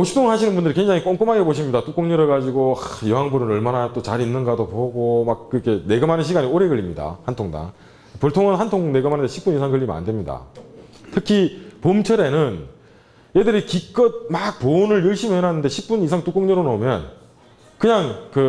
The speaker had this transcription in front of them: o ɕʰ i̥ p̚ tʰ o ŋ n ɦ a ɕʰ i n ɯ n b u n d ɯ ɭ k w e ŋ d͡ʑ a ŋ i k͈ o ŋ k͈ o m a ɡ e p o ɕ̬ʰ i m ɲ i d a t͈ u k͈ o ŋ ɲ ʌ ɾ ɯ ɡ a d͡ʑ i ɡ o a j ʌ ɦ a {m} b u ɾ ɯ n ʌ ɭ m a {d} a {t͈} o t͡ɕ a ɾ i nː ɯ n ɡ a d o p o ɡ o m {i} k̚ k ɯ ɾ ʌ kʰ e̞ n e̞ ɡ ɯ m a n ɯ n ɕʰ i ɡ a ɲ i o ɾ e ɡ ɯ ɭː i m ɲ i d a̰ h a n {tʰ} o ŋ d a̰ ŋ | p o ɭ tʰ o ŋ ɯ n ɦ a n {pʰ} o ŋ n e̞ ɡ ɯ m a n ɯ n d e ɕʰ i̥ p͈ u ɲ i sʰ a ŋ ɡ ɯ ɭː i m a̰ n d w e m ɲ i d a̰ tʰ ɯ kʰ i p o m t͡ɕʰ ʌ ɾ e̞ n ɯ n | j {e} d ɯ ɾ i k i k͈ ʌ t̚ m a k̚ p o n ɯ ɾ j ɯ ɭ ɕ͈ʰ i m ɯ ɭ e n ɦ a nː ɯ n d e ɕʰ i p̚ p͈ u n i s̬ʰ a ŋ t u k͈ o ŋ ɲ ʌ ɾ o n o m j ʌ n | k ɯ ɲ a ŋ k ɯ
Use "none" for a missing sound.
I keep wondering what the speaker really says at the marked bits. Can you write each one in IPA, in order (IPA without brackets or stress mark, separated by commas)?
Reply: ŋ, n, t͈, a, tʰ, tʰ, e